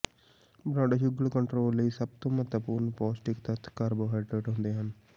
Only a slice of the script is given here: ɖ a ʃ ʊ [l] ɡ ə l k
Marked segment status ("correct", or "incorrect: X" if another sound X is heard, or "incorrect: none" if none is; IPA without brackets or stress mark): incorrect: none